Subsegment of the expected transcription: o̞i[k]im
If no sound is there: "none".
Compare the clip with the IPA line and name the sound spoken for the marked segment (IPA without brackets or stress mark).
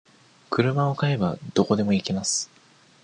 k